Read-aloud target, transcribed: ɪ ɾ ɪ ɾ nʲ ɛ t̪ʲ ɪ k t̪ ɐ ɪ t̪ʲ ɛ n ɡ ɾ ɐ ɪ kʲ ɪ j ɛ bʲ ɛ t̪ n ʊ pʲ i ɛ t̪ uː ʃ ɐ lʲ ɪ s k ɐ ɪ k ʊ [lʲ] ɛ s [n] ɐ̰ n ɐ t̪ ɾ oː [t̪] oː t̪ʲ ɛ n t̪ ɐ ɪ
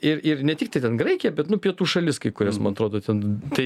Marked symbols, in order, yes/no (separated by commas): no, no, no